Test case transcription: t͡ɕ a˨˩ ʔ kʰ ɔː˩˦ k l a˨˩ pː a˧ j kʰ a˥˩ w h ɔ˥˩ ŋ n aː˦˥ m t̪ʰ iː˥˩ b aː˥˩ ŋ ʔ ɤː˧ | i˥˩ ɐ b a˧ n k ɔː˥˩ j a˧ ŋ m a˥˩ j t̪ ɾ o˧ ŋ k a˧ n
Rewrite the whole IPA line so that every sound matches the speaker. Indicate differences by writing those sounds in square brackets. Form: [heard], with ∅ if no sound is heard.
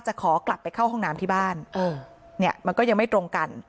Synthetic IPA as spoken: t͡ɕ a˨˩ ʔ kʰ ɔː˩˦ k l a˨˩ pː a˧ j kʰ a˥˩ w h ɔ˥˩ ŋ n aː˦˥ m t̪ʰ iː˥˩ b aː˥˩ [n] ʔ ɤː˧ | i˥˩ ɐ [m] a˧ n k ɔː˥˩ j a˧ ŋ m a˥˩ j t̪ ɾ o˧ ŋ k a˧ n